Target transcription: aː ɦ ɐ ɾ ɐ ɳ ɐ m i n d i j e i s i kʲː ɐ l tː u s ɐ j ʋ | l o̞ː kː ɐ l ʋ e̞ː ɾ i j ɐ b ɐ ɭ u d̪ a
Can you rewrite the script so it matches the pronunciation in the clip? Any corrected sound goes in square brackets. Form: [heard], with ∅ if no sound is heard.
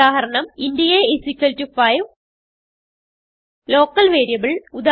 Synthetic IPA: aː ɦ ɐ ɾ ɐ ɳ ɐ m i n d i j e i s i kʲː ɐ l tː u [f] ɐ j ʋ | l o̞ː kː ɐ l ʋ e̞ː ɾ i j ɐ b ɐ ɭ u d̪ a